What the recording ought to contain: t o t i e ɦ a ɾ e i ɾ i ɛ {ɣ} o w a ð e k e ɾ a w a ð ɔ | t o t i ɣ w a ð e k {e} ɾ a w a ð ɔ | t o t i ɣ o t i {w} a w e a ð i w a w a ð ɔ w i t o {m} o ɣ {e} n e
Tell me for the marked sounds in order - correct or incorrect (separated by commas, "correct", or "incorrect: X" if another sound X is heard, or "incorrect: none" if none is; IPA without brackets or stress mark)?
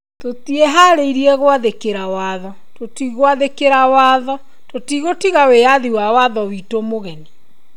correct, correct, incorrect: ɣ, correct, incorrect: ɛ